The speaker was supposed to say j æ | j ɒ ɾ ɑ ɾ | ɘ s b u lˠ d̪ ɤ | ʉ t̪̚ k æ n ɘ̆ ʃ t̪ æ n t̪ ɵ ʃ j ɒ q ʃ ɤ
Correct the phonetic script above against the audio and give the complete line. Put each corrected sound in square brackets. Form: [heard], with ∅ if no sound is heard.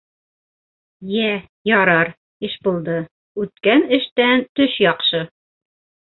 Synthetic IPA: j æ | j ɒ ɾ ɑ ɾ | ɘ [ʃ] b u lˠ d̪ ɤ | ʉ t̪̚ k æ n ɘ̆ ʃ t̪ æ n t̪ ɵ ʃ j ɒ q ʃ ɤ